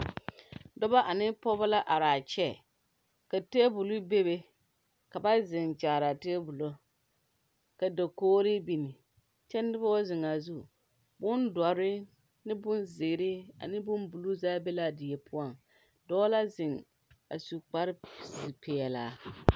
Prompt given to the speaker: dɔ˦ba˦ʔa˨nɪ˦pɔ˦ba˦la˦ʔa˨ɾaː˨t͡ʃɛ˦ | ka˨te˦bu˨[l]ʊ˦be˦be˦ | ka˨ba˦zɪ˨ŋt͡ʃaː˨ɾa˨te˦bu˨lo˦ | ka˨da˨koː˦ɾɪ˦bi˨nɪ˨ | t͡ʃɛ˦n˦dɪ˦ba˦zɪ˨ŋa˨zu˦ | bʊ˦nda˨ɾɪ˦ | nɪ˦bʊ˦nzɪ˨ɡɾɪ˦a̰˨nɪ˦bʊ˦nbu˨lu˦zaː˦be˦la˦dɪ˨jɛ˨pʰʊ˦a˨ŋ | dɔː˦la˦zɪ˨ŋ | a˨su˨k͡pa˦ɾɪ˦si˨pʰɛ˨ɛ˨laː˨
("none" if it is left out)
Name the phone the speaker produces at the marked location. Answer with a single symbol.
l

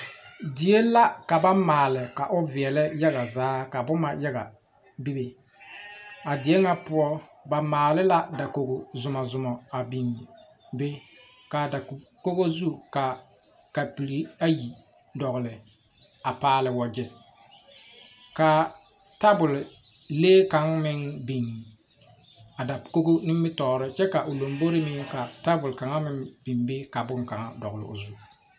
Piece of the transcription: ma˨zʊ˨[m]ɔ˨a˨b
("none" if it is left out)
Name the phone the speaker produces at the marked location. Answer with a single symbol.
m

